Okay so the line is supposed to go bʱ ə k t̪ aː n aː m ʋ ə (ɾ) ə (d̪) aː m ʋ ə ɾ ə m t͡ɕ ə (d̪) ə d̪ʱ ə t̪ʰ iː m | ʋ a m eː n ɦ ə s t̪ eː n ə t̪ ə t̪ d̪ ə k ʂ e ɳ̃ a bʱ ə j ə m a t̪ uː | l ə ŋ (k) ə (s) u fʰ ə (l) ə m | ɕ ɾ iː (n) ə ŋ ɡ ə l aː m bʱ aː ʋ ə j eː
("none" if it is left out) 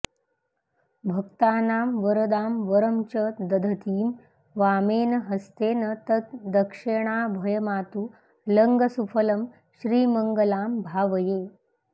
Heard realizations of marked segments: ɾ, d̪, d̪, ɡ, s, l, m

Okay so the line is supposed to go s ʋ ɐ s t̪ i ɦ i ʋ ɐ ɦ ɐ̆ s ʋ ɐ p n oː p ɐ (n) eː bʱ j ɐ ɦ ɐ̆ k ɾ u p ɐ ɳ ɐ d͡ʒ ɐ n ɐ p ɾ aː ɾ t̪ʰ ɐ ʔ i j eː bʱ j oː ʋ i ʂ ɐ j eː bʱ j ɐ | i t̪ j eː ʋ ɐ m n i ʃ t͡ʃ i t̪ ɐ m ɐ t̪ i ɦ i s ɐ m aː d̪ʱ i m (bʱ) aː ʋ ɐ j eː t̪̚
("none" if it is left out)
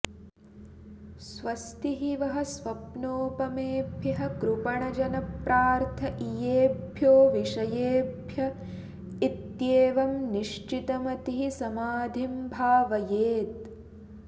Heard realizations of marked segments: m, bʱ

